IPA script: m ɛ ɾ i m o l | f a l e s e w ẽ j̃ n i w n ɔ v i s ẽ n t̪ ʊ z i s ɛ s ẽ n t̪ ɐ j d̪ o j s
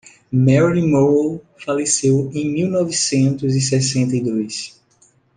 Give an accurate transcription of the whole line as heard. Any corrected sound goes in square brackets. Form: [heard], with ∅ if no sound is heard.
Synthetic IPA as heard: m ɛ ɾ i m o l | f a l e s e w ẽ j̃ [m] i w n ɔ v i s ẽ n t̪ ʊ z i s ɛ s ẽ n t̪ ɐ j d̪ o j s

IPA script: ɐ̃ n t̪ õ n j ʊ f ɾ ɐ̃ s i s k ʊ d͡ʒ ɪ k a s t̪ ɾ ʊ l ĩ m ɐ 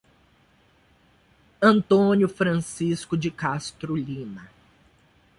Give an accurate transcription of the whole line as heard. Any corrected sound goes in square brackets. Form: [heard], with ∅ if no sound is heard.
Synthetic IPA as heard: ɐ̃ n t̪ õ n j ʊ f ɾ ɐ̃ s i s k ʊ d͡ʒ ɪ k a s t̪ ɾ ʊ l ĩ [n] ɐ

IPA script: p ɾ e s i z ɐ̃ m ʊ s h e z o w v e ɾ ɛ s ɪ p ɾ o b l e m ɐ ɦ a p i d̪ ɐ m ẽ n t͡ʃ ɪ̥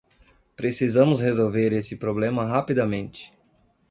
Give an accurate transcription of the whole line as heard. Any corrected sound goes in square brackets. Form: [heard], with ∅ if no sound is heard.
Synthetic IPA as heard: p ɾ e s i z ɐ̃ m ʊ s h e z o w v e ɾ [e] s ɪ p ɾ o b l [ẽ] m ɐ ɦ a p i d̪ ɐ m ẽ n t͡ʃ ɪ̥

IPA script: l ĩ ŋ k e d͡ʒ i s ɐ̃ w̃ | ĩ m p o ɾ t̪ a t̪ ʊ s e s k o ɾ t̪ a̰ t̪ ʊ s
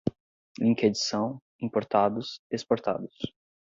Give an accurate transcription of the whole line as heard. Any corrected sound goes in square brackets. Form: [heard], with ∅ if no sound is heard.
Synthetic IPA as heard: l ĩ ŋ k e d͡ʒ i s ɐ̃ w̃ | ĩ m p o ɾ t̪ a [d̪] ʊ s e s [p] o ɾ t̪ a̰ [d̪] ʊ s

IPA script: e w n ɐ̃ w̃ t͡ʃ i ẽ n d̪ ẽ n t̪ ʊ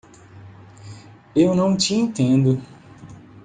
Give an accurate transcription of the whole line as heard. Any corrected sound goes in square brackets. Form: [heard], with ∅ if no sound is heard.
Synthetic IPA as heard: e w n ɐ̃ w̃ t͡ʃ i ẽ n [t̪] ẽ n [d̪] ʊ

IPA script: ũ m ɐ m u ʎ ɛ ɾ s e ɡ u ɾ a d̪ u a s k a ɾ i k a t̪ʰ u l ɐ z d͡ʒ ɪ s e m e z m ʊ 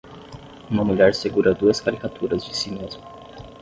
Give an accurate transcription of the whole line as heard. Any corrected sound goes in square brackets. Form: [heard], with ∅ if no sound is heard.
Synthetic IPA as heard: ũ m ɐ m u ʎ ɛ ɾ s e ɡ u ɾ [ɐ] d̪ u [ɐ] s k a ɾ i k a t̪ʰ u [ɾ] ɐ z d͡ʒ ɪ s [i] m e z m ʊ

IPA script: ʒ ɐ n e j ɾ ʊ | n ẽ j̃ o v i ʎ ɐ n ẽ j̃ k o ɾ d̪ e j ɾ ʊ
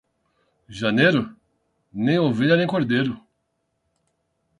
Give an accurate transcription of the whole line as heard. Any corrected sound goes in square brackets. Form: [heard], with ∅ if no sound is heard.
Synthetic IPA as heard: ʒ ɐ n e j ɾ ʊ | n ẽ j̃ o v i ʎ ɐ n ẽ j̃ k o ɾ d̪ e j ɾ ʊ

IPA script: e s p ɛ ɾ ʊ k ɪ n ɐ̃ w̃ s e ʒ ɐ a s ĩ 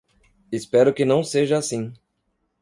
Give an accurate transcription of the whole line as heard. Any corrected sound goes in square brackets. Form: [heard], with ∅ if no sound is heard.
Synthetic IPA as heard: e s p ɛ ɾ ʊ k ɪ n ɐ̃ w̃ s e ʒ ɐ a s ĩ

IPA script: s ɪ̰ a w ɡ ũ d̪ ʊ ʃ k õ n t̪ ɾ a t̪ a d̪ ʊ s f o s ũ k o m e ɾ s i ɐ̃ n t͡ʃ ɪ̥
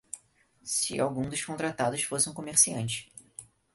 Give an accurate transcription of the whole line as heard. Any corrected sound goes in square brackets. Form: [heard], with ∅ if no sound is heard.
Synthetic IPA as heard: s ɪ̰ a w ɡ ũ d̪ ʊ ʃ k õ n t̪ ɾ a t̪ a d̪ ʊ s f o s ũ k o m e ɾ s i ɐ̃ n t͡ʃ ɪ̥

